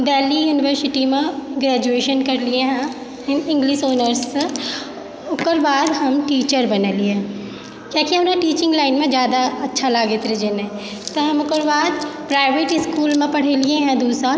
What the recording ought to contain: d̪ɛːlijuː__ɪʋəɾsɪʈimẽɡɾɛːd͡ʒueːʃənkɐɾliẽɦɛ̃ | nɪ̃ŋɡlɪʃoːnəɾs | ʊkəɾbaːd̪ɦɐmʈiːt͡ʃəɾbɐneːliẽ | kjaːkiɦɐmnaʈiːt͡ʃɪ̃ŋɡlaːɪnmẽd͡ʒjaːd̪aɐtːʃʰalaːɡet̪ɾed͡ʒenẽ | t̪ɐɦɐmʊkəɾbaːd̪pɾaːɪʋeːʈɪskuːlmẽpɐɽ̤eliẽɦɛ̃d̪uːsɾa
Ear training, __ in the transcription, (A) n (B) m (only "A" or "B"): A